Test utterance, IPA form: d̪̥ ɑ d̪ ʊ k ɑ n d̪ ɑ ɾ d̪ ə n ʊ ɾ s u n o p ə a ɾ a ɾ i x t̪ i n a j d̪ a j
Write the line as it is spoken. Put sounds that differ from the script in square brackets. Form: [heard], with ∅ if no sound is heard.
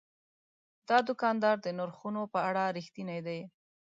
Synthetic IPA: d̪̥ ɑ d̪ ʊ k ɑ n d̪ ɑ ɾ d̪ ə n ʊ ɾ [x] u n o p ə a [ɽ] a ɾ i x t̪ i n a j d̪ a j